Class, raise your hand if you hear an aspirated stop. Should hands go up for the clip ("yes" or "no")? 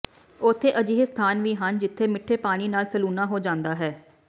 yes